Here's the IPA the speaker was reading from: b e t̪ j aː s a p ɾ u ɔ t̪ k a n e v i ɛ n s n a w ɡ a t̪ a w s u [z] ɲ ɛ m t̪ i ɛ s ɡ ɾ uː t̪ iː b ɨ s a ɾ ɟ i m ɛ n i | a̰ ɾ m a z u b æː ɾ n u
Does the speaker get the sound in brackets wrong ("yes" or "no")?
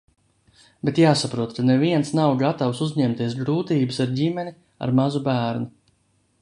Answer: no